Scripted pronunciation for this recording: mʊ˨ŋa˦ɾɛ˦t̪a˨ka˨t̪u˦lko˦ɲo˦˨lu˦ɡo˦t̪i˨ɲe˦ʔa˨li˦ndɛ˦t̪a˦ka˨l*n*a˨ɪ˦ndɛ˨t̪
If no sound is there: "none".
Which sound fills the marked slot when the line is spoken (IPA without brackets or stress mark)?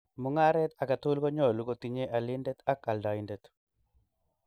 d